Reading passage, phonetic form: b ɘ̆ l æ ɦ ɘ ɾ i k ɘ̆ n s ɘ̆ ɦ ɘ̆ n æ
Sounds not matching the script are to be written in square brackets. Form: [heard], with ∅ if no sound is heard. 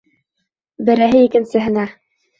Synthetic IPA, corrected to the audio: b ɘ̆ [ɾ] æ ɦ ɘ [∅] i k ɘ̆ n s ɘ̆ ɦ ɘ̆ n æ